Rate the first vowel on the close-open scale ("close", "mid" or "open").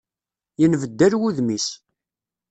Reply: mid